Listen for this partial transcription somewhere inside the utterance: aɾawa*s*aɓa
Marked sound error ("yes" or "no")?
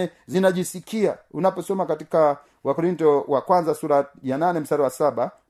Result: no